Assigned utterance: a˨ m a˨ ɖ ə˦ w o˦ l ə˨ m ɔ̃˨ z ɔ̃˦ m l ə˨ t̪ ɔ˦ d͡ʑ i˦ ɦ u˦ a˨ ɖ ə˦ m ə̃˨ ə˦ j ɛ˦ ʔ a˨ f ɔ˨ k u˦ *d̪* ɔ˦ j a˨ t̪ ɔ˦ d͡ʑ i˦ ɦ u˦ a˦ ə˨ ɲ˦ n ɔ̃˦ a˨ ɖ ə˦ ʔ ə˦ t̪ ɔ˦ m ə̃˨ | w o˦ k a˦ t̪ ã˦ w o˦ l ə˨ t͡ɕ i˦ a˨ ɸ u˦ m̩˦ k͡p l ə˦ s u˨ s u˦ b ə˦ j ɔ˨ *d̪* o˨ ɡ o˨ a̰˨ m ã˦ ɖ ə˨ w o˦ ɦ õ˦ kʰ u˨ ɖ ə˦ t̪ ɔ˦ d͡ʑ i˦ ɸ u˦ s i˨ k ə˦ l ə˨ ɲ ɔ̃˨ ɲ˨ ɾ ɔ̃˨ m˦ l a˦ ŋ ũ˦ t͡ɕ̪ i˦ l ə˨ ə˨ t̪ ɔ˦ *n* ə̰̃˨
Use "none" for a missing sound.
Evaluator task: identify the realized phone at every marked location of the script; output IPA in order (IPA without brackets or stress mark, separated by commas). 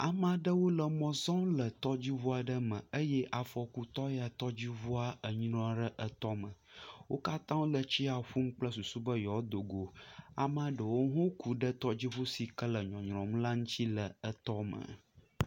t̪, d̪, m